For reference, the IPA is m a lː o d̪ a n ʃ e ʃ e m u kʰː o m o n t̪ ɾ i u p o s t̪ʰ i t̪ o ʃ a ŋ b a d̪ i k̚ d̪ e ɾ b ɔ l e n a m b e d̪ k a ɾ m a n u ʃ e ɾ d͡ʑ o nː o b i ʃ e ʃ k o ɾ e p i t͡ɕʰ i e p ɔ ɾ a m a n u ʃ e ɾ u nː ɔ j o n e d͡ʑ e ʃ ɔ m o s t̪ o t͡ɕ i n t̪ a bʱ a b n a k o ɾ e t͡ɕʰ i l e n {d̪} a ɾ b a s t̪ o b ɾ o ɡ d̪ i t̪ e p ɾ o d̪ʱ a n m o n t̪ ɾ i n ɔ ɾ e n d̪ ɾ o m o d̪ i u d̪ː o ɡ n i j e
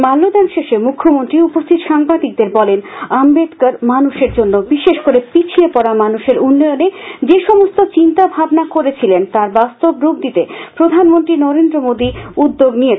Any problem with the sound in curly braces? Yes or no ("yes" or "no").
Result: yes